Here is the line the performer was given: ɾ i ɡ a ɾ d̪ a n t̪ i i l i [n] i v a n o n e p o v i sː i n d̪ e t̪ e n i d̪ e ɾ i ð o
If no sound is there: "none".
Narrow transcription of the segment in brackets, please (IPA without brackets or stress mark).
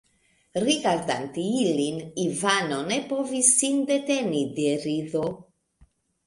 n